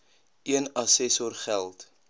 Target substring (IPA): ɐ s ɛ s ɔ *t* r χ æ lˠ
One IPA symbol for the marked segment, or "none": none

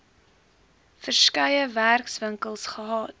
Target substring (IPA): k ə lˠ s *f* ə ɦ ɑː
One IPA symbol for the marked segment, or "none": χ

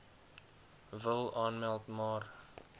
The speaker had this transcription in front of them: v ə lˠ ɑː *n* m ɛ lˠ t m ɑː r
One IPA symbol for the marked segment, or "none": n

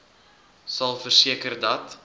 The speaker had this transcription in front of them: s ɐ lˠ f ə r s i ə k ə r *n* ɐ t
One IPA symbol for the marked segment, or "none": d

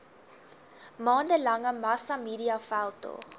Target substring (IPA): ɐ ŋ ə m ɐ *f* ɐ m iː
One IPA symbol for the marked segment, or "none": s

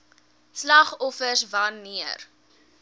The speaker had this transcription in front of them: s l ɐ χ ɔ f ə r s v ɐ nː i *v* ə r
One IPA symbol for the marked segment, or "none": none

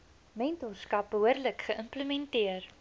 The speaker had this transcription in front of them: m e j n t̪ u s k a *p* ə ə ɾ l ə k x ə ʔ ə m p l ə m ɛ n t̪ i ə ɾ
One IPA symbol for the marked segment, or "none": p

